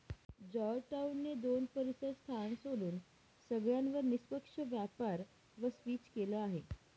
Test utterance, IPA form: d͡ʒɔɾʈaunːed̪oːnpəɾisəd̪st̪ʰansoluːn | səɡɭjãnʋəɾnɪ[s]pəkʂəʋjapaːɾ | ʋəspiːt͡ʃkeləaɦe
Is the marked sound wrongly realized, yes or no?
no